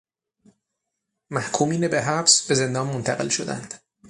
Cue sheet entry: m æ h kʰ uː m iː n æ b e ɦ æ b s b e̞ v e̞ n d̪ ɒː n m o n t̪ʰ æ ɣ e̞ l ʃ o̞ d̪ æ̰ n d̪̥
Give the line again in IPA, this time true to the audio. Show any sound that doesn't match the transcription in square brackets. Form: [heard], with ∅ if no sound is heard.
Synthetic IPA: m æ h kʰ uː m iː n [e] b e ɦ æ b s b e̞ [z] e̞ n d̪ ɒː n m o n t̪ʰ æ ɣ e̞ l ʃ o̞ d̪ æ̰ n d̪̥